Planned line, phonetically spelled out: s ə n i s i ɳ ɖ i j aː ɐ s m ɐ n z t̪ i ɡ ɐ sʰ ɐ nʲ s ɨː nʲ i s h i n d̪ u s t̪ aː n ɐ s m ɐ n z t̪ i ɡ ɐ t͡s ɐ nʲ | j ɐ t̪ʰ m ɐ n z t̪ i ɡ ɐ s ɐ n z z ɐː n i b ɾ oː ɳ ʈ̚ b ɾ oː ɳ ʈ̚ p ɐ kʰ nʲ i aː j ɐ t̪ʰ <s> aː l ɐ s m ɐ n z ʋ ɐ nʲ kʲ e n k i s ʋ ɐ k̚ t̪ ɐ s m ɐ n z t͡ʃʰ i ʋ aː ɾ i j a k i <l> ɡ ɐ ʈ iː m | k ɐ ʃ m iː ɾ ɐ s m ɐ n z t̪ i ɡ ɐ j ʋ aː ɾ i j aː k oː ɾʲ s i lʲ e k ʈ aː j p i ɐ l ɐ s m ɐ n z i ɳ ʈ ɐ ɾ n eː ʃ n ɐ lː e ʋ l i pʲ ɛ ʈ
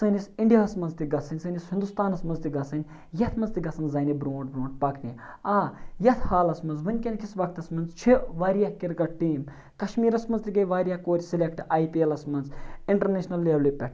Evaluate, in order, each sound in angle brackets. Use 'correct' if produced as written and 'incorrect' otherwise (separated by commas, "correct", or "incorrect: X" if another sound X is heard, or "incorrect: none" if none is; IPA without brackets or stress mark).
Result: incorrect: h, incorrect: ɾ